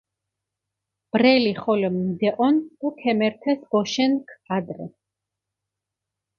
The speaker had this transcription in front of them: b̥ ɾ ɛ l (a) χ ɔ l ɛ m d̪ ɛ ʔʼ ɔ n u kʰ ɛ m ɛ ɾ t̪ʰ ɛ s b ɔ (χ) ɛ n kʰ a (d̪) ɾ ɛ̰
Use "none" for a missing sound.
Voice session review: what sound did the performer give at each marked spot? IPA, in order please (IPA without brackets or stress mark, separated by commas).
i, ʃ, d̪